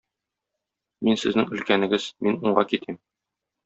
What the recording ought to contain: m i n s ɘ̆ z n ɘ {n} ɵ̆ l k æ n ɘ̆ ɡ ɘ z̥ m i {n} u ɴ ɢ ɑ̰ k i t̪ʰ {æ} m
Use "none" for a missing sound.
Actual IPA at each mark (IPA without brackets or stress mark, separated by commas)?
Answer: ŋ, n, i